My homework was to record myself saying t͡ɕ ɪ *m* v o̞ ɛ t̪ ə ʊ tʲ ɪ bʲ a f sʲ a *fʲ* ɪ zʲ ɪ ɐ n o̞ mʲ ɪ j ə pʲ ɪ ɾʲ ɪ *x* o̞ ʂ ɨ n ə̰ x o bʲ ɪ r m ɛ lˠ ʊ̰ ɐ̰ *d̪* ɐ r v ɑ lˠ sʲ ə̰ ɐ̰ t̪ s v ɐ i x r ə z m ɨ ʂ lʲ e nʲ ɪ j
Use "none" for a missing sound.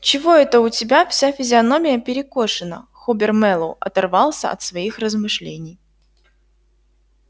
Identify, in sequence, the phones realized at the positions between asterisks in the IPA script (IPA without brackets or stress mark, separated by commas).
none, fʲ, k, t̪